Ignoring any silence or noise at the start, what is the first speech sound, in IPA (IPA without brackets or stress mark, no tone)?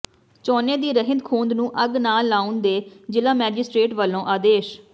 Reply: t͡ʃ